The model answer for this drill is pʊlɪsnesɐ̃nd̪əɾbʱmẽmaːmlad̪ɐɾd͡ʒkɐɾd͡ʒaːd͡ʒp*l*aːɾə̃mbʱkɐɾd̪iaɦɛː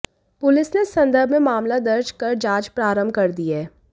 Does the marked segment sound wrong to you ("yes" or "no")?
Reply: yes